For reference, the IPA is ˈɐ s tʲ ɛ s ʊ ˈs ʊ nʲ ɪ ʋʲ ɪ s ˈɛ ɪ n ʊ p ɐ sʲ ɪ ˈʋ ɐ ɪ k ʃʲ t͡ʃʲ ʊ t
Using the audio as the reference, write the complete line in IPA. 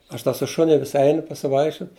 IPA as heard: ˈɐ ʃ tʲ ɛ s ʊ ˈʃ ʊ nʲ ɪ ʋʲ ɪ s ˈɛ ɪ n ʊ p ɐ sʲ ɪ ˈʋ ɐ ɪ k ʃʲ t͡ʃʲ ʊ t